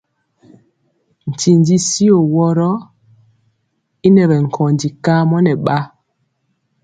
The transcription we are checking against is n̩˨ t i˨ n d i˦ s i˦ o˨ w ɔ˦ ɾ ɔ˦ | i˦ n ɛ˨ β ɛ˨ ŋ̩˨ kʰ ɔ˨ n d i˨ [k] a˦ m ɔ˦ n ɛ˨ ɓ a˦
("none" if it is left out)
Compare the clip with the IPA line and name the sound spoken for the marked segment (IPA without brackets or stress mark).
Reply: k